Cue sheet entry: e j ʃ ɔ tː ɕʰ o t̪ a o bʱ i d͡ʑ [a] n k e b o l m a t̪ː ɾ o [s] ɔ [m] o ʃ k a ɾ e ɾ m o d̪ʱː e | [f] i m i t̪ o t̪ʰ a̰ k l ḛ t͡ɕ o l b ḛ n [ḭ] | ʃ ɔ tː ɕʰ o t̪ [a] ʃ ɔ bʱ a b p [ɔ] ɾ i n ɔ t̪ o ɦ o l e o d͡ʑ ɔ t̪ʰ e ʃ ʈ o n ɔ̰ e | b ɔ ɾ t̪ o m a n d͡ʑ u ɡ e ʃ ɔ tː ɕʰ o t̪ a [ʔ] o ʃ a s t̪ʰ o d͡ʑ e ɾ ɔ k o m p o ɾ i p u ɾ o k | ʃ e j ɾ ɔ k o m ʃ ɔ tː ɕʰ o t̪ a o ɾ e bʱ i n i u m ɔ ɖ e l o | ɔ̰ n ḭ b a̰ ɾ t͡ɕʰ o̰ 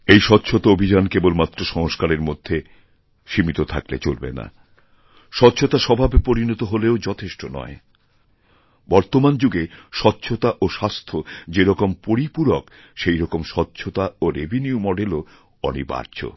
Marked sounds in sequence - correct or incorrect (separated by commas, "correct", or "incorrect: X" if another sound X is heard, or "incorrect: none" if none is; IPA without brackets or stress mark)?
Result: correct, incorrect: ʃ, incorrect: ŋ, incorrect: ʃ, incorrect: a̰, correct, incorrect: o, correct